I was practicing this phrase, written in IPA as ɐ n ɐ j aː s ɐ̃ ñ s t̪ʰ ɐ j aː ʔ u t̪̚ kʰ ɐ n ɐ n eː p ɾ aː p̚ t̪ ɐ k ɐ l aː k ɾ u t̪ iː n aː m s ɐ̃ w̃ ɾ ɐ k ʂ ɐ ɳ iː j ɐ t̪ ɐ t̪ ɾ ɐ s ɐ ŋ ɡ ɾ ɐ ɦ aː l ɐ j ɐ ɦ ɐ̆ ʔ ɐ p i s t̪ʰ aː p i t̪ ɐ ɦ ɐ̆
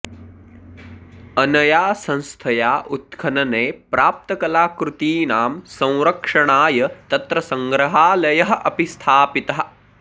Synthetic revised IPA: ɐ n ɐ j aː s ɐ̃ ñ s t̪ʰ ɐ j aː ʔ u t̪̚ kʰ ɐ n ɐ n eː p ɾ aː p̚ t̪ ɐ k ɐ l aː k ɾ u t̪ iː n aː m s ɐ̃ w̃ ɾ ɐ k ʂ ɐ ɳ aː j ɐ t̪ ɐ t̪ ɾ ɐ s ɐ ŋ ɡ ɾ ɐ ɦ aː l ɐ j ɐ ɦ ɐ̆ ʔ ɐ p i s t̪ʰ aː p i t̪ ɐ ɦ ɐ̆